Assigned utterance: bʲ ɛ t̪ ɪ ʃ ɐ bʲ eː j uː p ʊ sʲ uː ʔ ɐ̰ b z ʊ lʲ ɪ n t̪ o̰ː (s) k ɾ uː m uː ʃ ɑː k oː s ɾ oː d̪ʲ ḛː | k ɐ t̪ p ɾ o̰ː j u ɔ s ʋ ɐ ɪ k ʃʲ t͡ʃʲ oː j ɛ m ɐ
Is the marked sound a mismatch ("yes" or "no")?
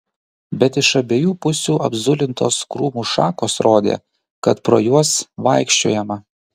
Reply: no